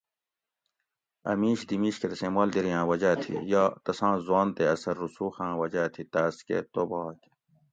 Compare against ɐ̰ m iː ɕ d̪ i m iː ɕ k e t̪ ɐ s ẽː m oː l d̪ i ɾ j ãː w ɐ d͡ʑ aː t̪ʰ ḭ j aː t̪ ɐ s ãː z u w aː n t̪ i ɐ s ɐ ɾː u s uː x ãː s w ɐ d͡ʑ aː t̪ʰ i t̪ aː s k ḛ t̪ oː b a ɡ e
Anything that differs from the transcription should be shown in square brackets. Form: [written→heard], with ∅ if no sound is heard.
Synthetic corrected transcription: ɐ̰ m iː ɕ d̪ i m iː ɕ k e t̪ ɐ s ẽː m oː l d̪ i ɾ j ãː w ɐ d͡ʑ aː t̪ʰ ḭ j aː t̪ ɐ s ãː z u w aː n t̪ [i→e] ɐ s ɐ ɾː u s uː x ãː [s→∅] w ɐ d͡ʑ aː t̪ʰ i t̪ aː s k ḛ t̪ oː b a [ɡ→k] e